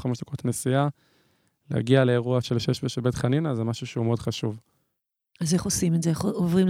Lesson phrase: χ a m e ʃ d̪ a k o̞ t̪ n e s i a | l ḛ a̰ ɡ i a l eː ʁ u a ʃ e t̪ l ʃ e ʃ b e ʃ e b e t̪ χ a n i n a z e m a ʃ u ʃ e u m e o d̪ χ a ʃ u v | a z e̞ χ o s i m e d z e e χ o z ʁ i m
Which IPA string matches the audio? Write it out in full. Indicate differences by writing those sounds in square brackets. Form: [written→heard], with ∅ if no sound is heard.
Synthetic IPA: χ a m e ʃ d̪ a k o̞ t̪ n e s i a | l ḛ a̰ ɡ i a l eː ʁ u a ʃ e [t̪→∅] l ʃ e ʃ b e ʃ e b e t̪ χ a n i n a z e m a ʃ u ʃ e u m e o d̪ χ a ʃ u v | a z e̞ χ o s i m e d z e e χ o [z→v] ʁ i m